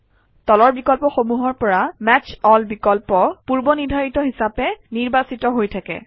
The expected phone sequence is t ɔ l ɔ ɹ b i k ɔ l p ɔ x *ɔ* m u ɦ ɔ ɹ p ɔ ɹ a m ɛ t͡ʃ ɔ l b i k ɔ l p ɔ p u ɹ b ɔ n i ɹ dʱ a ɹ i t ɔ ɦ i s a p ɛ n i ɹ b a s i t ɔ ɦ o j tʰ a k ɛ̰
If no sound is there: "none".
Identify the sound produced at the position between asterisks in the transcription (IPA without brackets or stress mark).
o